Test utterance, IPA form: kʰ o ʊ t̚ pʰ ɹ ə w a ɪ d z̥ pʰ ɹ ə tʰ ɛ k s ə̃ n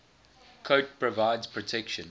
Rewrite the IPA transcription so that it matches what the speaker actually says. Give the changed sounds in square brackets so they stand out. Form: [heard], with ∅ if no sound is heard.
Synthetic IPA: kʰ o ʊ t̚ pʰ ɹ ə [v] a ɪ d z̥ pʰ ɹ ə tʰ ɛ k [ʃ] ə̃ n